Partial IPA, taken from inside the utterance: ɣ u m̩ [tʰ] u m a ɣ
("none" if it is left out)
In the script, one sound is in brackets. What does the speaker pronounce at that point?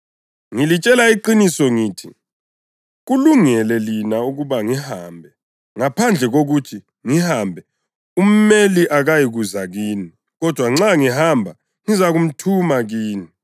tʰ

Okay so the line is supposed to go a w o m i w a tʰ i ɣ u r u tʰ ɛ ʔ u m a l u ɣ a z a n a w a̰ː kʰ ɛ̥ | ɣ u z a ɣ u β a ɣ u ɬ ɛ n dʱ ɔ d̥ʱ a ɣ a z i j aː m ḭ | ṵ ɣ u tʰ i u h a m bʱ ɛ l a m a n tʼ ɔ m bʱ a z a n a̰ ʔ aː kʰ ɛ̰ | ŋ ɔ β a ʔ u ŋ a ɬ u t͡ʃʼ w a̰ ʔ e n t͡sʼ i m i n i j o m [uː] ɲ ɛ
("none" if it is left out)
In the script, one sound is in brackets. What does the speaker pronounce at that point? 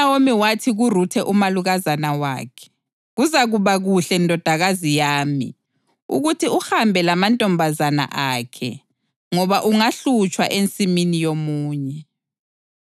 uː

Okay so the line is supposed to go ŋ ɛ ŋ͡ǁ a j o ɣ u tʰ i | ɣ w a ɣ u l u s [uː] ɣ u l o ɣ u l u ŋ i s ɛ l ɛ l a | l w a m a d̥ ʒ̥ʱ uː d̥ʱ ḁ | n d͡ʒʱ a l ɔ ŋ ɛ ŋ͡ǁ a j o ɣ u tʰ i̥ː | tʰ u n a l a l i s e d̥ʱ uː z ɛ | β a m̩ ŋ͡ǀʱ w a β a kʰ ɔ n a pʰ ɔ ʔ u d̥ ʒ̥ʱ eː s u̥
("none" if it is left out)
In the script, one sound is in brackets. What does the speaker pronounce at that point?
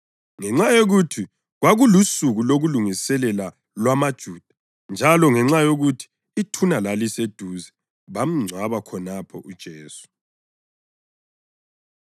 u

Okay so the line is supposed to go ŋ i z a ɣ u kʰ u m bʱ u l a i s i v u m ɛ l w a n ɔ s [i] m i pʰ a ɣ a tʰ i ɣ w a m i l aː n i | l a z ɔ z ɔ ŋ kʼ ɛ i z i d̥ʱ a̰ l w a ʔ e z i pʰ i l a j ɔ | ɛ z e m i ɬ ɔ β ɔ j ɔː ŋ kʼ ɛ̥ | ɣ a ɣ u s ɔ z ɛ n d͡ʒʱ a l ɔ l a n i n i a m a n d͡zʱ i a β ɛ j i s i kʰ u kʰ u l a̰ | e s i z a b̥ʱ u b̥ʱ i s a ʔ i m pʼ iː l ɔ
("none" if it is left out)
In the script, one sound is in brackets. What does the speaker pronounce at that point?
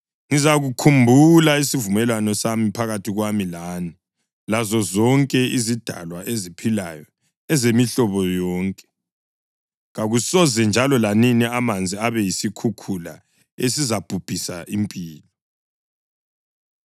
a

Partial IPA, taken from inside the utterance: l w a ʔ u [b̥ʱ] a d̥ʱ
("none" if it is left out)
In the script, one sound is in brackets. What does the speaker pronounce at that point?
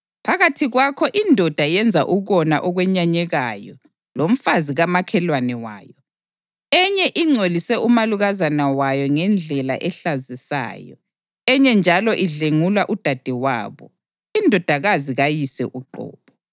d̥ʱ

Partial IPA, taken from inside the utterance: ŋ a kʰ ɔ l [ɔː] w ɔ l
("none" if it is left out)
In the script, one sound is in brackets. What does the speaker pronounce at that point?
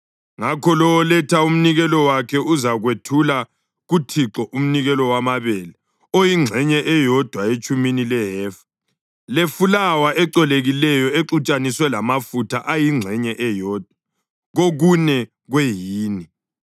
ɔ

